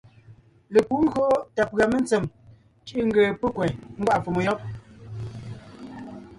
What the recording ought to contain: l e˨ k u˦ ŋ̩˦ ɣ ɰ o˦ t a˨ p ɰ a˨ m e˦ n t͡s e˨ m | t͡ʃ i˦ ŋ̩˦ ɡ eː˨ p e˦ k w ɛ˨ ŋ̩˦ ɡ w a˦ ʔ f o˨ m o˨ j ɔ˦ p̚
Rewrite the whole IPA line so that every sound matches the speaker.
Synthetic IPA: l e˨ k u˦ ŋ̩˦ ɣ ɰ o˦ t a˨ p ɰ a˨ m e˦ n t͡s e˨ m | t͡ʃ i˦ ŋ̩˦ ɡ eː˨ p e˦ k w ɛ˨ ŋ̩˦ ɡ w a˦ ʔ f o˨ m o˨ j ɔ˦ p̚